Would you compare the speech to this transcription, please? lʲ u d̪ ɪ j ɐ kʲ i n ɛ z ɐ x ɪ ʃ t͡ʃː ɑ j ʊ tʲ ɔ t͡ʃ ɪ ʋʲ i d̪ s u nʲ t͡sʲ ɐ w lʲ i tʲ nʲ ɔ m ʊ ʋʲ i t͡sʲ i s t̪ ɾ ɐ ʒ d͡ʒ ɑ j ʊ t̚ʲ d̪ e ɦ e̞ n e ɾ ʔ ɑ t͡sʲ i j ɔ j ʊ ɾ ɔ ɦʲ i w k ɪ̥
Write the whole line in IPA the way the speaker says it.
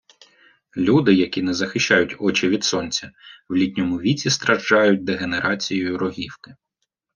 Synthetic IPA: lʲ u d̪ ɪ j ɐ kʲ i n ɛ z ɐ x ɪ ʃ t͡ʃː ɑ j ʊ tʲ ɔ t͡ʃ ɪ ʋʲ i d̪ s ɔ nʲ t͡sʲ ɐ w lʲ i tʲ nʲ ɔ m ʊ ʋʲ i t͡sʲ i s t̪ ɾ ɐ ʒ d͡ʒ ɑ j ʊ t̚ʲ d̪ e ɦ e̞ n e ɾ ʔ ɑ t͡sʲ i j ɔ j ʊ ɾ ɔ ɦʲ i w k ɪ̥